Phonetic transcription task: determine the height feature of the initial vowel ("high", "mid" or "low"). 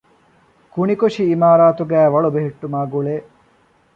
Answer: high